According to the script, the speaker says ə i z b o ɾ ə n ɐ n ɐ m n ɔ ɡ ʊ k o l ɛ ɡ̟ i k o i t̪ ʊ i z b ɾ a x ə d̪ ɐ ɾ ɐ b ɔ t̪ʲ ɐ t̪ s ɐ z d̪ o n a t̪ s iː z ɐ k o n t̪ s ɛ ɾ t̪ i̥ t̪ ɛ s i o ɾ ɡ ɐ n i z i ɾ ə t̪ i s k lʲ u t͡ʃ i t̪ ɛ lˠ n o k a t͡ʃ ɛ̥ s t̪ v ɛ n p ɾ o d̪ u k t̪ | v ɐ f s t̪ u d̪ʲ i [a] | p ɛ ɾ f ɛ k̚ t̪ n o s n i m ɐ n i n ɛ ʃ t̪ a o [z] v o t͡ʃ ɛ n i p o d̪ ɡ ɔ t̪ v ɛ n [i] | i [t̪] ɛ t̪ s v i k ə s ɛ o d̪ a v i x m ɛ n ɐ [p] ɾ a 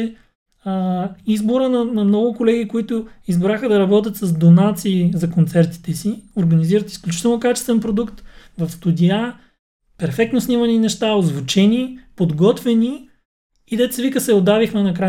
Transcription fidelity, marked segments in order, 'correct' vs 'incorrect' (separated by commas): correct, correct, correct, incorrect, incorrect